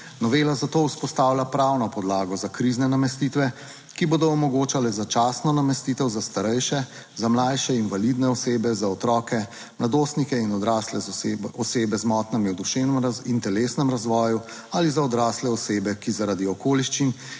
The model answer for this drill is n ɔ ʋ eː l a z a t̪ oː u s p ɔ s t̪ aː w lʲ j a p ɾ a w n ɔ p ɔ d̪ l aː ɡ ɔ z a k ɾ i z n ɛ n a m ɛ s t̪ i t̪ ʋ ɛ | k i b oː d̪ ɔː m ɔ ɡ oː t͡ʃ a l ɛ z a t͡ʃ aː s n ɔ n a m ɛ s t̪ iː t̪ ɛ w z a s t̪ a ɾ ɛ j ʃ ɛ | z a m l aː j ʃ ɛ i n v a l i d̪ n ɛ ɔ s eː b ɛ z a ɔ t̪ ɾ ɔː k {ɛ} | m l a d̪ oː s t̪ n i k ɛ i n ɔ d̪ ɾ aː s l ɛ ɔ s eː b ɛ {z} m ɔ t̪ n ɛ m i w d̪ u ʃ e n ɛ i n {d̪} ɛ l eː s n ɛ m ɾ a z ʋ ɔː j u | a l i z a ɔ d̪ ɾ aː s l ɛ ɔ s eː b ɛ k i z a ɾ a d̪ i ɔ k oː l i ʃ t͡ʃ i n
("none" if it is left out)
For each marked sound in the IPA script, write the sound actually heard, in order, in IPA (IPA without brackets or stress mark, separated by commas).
ɛ, z, t̪